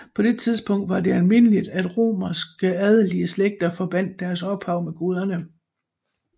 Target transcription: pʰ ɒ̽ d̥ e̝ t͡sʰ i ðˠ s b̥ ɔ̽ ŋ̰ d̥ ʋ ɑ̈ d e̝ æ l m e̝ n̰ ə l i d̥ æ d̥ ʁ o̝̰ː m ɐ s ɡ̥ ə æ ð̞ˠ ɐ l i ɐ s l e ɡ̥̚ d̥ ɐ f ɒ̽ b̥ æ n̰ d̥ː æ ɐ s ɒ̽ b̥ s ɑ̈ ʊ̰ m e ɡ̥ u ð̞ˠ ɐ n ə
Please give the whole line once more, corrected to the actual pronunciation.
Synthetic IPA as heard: pʰ ɒ̽ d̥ e̝ t͡sʰ i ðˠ s b̥ ɔ̽ ŋ̰ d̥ ʋ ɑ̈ d e̝ æ l m e̝ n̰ ə l i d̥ æ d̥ ʁ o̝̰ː m ɐ s ɡ̥ ə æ ð̞ˠ ə l i ə s l e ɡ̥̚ d̥ ɐ f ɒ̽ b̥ æ n̰ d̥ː æ ɐ s ɒ̽ b̥ h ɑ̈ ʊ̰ m e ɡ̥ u ð̞ˠ ɐ n ə